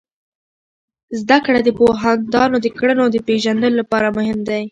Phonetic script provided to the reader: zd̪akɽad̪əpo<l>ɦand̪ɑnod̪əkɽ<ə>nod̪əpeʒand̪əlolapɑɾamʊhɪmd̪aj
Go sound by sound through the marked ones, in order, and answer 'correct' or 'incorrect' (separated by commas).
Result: incorrect, correct